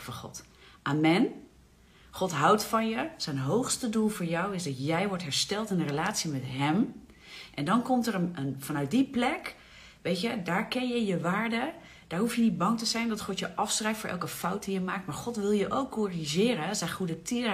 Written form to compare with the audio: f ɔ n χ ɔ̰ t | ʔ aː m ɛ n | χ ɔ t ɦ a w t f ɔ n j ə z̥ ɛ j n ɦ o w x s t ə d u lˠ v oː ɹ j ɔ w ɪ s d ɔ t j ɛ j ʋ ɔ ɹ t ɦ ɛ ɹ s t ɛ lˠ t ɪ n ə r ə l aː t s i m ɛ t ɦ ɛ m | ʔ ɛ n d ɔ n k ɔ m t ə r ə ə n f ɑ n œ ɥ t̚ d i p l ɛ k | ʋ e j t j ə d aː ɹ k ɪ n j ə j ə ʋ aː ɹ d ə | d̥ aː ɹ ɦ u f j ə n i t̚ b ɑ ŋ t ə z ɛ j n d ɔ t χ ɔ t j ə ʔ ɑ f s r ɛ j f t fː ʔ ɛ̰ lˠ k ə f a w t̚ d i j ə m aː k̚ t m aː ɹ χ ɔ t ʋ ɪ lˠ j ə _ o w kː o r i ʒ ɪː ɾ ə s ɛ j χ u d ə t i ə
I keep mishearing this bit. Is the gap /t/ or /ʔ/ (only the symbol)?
ʔ